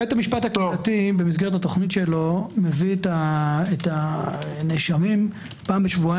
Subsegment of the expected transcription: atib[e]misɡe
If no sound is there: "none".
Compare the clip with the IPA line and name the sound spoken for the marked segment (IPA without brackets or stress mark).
e